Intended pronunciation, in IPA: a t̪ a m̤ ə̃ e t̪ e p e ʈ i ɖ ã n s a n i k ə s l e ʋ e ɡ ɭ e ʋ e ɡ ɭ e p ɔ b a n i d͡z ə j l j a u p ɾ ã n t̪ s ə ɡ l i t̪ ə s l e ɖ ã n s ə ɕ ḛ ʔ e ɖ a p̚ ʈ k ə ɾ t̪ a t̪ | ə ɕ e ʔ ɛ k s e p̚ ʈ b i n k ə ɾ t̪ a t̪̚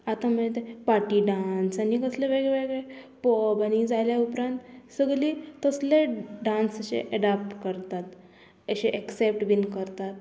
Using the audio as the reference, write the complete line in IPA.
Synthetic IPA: a t̪ a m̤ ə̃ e t̪ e p a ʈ i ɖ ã n s a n i k ə s l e ʋ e ɡ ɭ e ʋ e ɡ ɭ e p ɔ b a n i d͡z a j l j a u p ɾ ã n t̪ s ə ɡ l i t̪ ə s l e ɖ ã n s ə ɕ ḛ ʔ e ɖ a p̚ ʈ k ə ɾ t̪ a t̪ | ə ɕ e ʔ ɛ k s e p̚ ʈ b i n k ə ɾ t̪ a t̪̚

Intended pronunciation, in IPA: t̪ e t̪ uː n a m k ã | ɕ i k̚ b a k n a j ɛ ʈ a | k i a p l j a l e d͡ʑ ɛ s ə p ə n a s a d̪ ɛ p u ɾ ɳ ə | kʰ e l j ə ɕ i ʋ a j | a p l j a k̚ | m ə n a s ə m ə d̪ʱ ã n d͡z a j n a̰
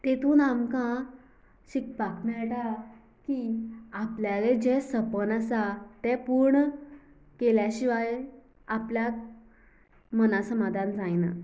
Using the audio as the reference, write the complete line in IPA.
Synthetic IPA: t̪ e t̪ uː n a m k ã | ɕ i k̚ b a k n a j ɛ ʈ a | k i a p l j a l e d͡ʑ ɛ s ə p ə n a s a t̪ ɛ p u ɾ ɳ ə | k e l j a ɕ i ʋ a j | a p l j a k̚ | m ə n a s ə m a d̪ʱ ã n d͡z a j n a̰

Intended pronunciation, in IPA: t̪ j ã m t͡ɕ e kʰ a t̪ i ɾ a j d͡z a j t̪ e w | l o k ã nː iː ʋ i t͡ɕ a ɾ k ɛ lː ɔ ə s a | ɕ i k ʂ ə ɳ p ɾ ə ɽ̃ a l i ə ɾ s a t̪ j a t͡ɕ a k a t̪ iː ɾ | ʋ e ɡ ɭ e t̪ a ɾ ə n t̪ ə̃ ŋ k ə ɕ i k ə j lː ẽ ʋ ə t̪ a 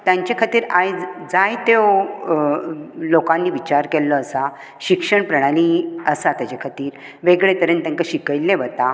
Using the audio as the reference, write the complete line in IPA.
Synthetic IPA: t̪ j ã ɲ t͡ɕ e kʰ a t̪ iː ɾ a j d͡z a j t̪ e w | l o k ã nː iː ʋ i t͡ɕ a ɾ k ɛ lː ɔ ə s a | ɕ i k ʂ ə ɳ p ɾ ə ɽ̃ a l i ə s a t̪ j a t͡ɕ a kʰ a t̪ iː ɾ | ʋ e ɡ ɭ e t̪ ə ɾ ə n t̪ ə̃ ŋ k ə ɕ i k ə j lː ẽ ʋ ə t̪ a

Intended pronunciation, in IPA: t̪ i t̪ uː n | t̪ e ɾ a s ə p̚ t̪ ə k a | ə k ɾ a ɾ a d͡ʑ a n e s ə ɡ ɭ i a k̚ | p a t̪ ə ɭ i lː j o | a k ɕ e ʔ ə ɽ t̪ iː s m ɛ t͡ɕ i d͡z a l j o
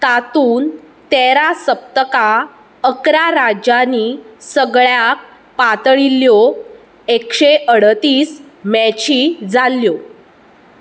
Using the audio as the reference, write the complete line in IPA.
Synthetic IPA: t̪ a t̪ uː n | t̪ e ɾ a s ə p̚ t̪ ə k a | ə k ɾ a ɾ a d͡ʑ a n i s ə ɡ ɭ j a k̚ | p a t̪ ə ɭ i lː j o | e k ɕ e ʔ ə ɽ t̪ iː s m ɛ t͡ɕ i d͡z a l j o

